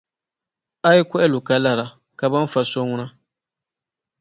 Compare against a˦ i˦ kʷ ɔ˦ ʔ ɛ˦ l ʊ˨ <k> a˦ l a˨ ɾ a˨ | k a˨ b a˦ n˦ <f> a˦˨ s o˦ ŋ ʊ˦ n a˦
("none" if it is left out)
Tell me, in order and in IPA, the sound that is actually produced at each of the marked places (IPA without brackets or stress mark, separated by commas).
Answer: k, f